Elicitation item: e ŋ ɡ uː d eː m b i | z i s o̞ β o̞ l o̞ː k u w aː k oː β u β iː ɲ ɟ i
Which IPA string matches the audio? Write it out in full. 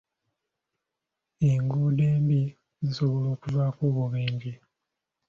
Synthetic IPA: e ŋ ɡ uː d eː m b i | z i s o̞ β o̞ l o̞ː k u v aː k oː β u β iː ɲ ɟ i